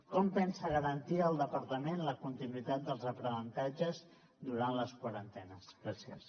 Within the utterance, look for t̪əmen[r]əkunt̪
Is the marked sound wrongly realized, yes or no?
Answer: yes